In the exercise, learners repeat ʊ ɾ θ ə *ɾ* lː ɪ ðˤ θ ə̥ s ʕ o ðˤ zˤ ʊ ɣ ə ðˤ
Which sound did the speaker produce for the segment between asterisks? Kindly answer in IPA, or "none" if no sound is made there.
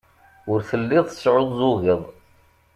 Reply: none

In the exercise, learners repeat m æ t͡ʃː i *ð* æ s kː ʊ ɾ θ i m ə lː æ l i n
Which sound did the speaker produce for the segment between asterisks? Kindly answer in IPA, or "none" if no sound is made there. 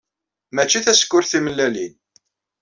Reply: θ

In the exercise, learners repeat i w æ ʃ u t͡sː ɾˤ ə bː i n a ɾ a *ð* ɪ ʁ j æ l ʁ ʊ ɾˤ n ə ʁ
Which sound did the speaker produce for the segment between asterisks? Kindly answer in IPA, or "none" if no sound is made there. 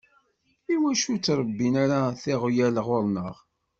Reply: θ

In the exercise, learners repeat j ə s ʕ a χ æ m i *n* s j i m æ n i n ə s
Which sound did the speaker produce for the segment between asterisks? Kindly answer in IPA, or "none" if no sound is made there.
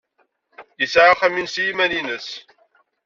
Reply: n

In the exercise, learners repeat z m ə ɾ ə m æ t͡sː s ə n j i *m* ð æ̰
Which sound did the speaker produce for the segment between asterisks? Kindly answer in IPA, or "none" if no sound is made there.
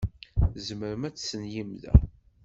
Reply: m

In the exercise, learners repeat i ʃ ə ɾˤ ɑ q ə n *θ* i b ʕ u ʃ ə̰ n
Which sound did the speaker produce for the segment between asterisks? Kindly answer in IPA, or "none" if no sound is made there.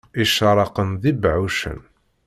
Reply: ð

